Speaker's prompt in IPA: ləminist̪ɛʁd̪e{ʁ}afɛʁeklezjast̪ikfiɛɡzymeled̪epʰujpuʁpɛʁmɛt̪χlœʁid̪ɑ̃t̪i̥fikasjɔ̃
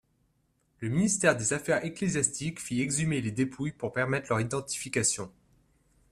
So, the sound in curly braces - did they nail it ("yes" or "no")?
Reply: no